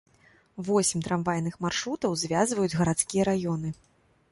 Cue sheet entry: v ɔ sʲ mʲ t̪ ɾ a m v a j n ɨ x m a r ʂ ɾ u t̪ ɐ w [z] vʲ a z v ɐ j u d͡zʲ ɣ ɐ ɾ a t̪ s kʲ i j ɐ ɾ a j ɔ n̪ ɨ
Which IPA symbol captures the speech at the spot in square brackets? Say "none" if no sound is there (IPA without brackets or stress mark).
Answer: z